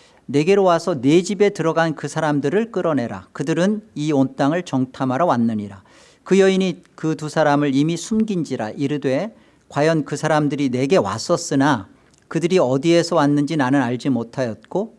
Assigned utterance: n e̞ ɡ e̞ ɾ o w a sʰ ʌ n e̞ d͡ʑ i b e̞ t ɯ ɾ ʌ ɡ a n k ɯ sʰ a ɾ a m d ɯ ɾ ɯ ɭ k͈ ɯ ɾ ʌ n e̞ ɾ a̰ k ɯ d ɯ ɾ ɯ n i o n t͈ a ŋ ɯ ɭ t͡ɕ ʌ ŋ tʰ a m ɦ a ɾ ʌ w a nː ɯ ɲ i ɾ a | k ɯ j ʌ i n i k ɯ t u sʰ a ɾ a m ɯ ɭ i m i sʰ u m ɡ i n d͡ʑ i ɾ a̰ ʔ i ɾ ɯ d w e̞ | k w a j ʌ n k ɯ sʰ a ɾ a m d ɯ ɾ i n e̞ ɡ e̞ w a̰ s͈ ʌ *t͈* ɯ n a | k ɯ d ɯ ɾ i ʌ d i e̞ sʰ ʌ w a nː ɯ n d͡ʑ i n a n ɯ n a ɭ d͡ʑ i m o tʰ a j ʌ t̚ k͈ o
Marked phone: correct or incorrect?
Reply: incorrect